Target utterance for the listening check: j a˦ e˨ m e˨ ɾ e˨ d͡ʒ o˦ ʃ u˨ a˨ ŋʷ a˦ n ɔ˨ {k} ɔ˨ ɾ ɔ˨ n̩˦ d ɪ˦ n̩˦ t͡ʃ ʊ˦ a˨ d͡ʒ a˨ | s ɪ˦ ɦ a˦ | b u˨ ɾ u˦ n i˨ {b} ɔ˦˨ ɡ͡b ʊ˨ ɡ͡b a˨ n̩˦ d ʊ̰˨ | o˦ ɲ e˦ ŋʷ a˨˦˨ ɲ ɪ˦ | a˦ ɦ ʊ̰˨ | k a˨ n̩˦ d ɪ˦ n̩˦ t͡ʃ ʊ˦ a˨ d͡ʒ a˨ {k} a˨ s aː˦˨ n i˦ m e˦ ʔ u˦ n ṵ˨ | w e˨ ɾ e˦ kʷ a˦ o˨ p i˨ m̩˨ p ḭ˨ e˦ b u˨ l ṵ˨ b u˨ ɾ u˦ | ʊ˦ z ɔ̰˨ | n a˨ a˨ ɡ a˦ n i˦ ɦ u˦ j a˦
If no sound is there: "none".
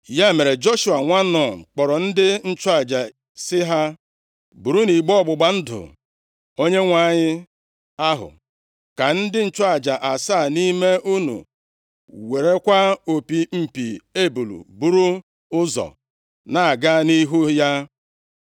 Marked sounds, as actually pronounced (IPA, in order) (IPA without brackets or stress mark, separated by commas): k͡p, ɡ͡b, ʔ